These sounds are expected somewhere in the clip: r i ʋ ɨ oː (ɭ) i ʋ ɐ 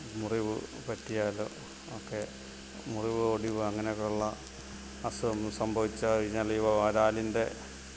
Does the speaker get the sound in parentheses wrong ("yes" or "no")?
yes